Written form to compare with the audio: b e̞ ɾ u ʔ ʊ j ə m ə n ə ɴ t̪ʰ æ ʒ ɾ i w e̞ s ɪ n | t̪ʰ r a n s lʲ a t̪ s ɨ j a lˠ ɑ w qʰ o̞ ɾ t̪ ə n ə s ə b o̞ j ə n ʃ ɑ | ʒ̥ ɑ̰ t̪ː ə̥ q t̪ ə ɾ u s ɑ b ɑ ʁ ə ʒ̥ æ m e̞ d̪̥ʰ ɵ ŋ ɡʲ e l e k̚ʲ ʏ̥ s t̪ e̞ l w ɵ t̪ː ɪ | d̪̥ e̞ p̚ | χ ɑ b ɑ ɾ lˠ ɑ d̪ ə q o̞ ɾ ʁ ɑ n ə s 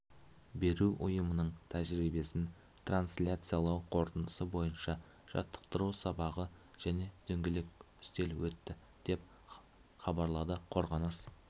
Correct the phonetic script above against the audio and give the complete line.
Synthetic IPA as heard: b e̞ ɾ u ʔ ʊ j ə m ə n ə ɴ t̪ʰ æ ʒ ɾ i b e̞ s ɪ n | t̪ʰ r a n s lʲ a t̪ s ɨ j a lˠ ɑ w qʰ o̞ ɾ t̪ ə n ə s ə b o̞ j ə n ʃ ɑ | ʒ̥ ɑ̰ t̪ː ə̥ q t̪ ə ɾ u s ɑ b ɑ ʁ ə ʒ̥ æ n e̞ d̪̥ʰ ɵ ŋ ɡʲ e l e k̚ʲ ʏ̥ s t̪ e̞ l w ɵ t̪ː ɪ | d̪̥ e̞ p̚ | χ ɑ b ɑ ɾ lˠ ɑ d̪ ə qʰ o̞ ɾ ʁ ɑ n ə s

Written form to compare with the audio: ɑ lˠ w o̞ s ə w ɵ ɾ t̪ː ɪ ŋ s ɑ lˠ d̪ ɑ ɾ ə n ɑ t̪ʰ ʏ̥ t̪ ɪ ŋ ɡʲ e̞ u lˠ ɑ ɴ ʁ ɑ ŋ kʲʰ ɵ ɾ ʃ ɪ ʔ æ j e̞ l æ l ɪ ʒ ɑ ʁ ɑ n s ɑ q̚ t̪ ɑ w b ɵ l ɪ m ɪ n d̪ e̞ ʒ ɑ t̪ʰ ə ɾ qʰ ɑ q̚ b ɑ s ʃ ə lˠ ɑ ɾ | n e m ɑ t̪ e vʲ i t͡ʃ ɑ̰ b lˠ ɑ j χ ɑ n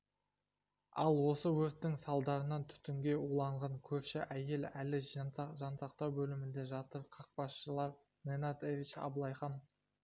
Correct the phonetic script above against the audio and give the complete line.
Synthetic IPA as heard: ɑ lˠ w o̞ s ə w ɵ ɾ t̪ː ɪ ŋ s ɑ lˠ d̪ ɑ ɾ ə n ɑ t̪ʰ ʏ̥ t̪ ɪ ŋ ɡʲ e̞ u lˠ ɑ ɴ ʁ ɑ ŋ kʲʰ ɵ ɾ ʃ ɪ ʔ æ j e̞ l æ l ɪ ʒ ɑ ʒ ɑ n s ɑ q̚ t̪ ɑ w b ɵ l ɪ m ɪ n d̪ e̞ ʒ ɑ t̪ ə ɾ qʰ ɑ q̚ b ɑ s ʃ ə lˠ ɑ ɾ | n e n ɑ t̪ e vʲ i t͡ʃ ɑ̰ b lˠ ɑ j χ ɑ n

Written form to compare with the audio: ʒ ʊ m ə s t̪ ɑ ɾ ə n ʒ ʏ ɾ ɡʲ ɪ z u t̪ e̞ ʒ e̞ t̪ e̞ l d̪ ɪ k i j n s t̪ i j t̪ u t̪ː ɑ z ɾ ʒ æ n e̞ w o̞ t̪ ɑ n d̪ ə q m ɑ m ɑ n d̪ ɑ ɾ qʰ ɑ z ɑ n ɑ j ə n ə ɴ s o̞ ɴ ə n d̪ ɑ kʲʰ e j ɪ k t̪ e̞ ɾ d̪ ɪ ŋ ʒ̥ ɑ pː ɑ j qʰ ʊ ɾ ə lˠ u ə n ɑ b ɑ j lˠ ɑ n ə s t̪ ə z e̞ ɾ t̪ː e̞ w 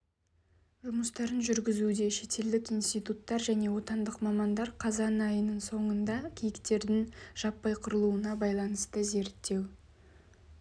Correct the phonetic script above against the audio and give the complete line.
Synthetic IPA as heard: ʒ ʊ m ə s t̪ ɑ ɾ ə n ʒ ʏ ɾ ɡʲ ɪ z u d̪ e̞ ʃ e̞ t̪ e̞ l d̪ ɪ k i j n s t̪ i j t̪ u t̪ː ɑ ɾ ʒ æ n e̞ w o̞ t̪ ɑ n d̪ ə q m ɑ m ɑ n d̪ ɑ ɾ qʰ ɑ z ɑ n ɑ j ə n ə ɴ s o̞ ɴ ə n d̪ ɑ kʲʰ e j ɪ k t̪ e̞ ɾ d̪ ɪ ŋ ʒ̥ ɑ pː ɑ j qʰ ʊ ɾ ə lˠ u ə n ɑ b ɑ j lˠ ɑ n ə s t̪ ə z e̞ ɾ t̪ː e̞ w

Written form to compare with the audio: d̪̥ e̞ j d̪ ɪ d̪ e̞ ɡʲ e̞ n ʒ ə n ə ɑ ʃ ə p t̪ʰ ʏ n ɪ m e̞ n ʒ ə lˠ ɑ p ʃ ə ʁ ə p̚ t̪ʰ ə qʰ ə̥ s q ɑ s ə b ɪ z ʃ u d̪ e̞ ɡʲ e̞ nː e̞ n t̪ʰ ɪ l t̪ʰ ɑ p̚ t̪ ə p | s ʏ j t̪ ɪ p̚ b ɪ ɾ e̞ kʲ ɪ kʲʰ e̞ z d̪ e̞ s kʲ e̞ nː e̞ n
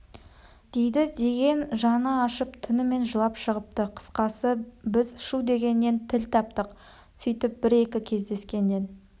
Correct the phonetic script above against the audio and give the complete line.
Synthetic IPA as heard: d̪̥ e̞ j d̪ ɪ d̪ e̞ ɡʲ e̞ n ʒ ɑ n ə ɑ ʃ ə p t̪ʰ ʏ n ɪ m e̞ n ʒ ə lˠ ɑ p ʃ ə ʁ ə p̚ t̪ ə qʰ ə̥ s q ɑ s ə b ɪ z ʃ u d̪ e̞ ɡʲ e̞ nː e̞ n t̪ʰ ɪ l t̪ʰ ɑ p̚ t̪ ə q | s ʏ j t̪ ɪ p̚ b ɪ ɾ e̞ kʲ ɪ kʲʰ e̞ z d̪ e̞ s kʲ e̞ nː e̞ n

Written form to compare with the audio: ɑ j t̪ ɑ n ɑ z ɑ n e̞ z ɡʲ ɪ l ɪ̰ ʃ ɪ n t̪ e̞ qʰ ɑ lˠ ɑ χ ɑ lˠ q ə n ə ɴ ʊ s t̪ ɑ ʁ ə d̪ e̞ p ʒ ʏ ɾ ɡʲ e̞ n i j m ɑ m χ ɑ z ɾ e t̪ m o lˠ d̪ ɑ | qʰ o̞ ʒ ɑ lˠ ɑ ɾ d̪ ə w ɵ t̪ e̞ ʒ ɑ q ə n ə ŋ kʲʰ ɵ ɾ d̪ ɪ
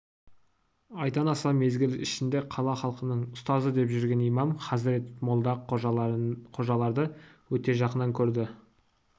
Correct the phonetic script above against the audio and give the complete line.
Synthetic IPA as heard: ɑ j t̪ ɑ n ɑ s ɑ m e̞ z ɡʲ ɪ l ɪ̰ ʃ ɪ n d̪ e̞ qʰ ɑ lˠ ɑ χ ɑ lˠ q ə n ə ɴ ʊ s t̪ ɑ z ə d̪ e̞ p ʒ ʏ ɾ ɡʲ e̞ n i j m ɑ m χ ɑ z ɾ e t̪ m o lˠ d̪ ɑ | qʰ o̞ ʒ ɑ lˠ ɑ ɾ d̪ ə w ɵ t̪ e̞ ʒ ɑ q ə n ɑ ŋ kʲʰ ɵ ɾ d̪ ɪ

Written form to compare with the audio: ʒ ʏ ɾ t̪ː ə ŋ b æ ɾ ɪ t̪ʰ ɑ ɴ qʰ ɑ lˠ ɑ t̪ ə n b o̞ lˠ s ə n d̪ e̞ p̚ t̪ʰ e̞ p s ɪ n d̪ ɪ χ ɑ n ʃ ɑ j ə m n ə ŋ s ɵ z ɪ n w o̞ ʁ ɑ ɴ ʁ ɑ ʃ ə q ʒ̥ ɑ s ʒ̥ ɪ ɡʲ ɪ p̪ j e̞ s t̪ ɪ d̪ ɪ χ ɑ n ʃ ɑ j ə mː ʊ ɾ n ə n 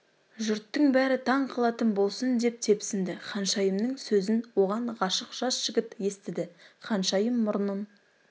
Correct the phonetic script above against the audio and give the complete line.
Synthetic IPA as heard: ʒ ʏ ɾ t̪ː ə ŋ b æ ɾ ɪ t̪ʰ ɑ ɴ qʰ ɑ lˠ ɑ t̪ ə n b o̞ lˠ s ə n d̪ e̞ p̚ t̪ʰ e̞ p s ɪ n d̪ ɪ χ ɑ n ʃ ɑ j ə m n ə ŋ s ɵ z ɪ n w o̞ ʁ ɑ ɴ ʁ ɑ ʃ ə q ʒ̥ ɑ s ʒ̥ ɪ ɡʲ ɪ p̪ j e̞ s t̪ ɪ d̪ ɪ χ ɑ n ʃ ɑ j ə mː ʊ ɾ n ə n

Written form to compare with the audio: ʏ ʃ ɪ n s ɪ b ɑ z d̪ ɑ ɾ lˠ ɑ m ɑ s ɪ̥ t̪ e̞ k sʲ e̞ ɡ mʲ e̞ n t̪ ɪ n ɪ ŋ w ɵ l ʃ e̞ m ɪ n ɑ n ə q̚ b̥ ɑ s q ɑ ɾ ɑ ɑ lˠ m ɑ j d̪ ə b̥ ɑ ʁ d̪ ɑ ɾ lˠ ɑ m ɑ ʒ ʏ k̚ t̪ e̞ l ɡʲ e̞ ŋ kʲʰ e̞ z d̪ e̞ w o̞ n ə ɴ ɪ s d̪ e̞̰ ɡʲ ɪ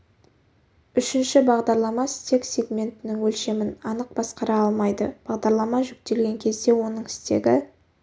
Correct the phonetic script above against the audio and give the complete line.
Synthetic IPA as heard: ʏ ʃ ɪ n ʃ ɪ b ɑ ʁ d̪ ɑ ɾ lˠ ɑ m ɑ s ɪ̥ t̪ e̞ k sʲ e̞ ɡ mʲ e̞ n t̪ ɪ n ɪ ŋ w ɵ l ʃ e̞ m ɪ n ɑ n ə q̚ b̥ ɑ s q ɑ ɾ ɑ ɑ lˠ m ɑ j d̪ ə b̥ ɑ ʁ d̪ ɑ ɾ lˠ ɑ m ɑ ʒ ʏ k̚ t̪ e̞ l ɡʲ e̞ ŋ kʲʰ e̞ z d̪ e̞ w o̞ n ə ɴ ɪ s t̪ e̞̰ ɡʲ ɪ

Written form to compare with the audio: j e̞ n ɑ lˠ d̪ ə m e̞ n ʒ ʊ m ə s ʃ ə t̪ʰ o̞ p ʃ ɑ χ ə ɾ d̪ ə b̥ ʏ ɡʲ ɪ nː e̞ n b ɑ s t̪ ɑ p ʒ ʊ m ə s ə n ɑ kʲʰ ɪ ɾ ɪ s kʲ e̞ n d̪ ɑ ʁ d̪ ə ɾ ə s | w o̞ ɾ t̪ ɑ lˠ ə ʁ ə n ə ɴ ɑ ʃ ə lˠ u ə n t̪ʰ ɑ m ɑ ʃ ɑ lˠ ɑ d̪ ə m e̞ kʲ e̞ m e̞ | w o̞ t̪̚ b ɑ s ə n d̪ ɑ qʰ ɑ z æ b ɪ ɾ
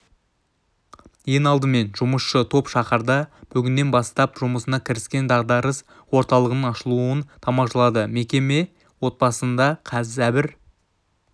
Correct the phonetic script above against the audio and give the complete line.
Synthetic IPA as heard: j e̞ n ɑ lˠ d̪ ə m e̞ n ʒ ʊ m ə s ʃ ə t̪ʰ o̞ p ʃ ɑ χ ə ɾ d̪ ɑ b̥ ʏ ɡʲ ɪ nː e̞ n b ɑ s t̪ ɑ p ʒ ʊ m ə s ə n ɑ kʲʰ ɪ ɾ ɪ s kʲ e̞ n d̪ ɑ ʁ d̪ ɑ ɾ ə s | w o̞ ɾ t̪ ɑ lˠ ə ʁ ə n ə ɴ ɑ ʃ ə lˠ u ə n t̪ʰ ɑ m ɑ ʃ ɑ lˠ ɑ d̪ ə m e̞ kʲ e̞ m e̞ | w o̞ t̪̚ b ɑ s ə n d̪ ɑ qʰ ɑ z æ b ɪ ɾ

